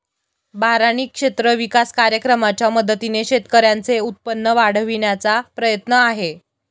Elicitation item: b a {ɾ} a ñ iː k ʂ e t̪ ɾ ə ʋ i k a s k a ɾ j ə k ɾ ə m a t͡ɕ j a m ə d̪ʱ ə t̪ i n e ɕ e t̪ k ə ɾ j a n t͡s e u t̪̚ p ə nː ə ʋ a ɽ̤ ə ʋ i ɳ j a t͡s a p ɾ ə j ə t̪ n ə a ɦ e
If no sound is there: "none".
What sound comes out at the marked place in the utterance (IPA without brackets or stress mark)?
ɾ